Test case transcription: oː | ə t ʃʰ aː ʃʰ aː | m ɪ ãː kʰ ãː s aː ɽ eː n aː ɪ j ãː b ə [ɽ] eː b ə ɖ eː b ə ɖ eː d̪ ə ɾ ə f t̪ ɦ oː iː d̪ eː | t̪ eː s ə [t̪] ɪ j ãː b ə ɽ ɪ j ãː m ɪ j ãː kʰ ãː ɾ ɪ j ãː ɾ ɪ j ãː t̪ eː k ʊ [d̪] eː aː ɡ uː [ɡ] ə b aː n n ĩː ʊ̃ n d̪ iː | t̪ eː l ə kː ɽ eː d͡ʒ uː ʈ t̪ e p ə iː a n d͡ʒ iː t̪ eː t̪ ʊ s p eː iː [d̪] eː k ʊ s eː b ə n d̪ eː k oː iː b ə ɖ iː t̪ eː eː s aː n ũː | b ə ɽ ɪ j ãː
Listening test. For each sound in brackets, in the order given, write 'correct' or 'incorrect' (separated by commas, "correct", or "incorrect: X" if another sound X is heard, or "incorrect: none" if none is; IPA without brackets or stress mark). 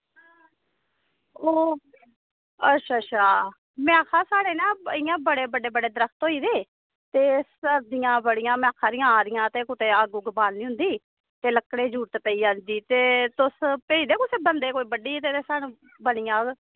correct, incorrect: d̪, incorrect: t̪, correct, correct